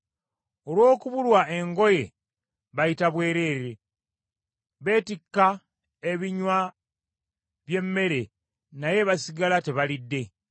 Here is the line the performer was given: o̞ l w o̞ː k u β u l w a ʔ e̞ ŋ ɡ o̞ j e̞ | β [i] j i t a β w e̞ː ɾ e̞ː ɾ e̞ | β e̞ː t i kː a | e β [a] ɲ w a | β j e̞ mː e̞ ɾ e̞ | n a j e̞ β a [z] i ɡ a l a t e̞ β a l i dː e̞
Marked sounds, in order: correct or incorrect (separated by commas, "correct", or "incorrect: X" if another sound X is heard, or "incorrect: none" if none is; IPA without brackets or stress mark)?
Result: incorrect: a, incorrect: i, incorrect: s